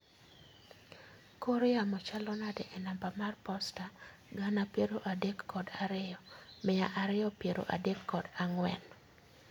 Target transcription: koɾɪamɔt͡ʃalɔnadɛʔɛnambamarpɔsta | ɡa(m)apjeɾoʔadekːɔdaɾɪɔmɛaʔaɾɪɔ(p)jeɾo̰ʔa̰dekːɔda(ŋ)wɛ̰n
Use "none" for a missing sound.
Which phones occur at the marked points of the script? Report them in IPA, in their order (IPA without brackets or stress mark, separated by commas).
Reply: n, p, ŋ